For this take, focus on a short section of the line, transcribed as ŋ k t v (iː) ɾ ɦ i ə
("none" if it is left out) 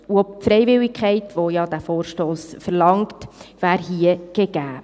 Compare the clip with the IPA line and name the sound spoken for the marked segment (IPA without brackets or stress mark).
æː